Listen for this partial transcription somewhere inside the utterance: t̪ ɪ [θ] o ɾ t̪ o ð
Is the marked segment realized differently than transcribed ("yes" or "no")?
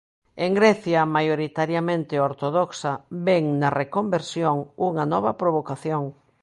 yes